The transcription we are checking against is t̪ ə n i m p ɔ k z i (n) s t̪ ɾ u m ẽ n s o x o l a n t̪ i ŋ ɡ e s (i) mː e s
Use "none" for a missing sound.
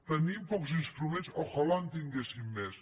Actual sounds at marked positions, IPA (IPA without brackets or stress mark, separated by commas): n, i